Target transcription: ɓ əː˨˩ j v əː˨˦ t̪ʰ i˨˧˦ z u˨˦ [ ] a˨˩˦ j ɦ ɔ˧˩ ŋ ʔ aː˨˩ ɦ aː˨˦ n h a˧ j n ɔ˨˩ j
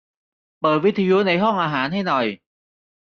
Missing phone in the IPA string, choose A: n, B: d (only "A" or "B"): A